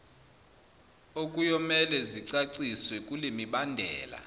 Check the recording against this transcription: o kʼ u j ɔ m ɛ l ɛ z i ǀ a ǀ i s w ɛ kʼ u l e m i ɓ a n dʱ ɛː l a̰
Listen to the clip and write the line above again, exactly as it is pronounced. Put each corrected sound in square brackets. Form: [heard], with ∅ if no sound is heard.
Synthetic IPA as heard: o kʼ u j ɔ m ɛ l ɛ z i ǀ a ǀ i s w ɛ kʼ u l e m i ɓ a n dʱ ɛː l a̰